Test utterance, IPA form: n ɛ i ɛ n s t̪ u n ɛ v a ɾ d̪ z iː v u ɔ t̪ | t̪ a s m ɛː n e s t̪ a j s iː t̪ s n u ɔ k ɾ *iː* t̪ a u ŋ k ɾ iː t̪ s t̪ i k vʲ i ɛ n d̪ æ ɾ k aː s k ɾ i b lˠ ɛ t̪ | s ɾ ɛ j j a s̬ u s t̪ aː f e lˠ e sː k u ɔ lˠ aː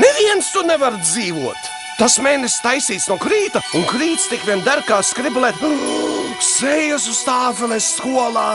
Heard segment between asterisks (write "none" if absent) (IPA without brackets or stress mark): iː